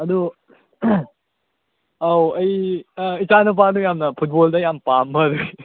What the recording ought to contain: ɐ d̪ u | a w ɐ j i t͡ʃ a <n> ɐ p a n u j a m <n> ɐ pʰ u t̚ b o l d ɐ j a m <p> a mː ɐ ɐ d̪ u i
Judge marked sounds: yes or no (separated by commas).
yes, yes, yes